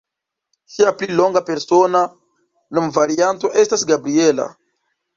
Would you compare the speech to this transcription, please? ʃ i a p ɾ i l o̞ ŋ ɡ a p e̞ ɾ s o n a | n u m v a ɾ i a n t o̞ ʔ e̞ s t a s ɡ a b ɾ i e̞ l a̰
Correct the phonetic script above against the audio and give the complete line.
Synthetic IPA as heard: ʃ i a p l i l o̞ ŋ ɡ a p e̞ ɾ s o n a | n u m v a ɾ i a n t o̞ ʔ e̞ s t a s ɡ a b ɾ i e̞ l a̰